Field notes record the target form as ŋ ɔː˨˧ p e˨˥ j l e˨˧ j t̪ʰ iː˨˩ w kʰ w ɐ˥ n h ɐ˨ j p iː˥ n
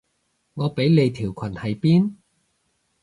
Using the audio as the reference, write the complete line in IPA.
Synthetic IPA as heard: ŋ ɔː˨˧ p e˨˥ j l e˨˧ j t̪ʰ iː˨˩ w kʰ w ɐ˨˩ n h ɐ˨ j p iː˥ n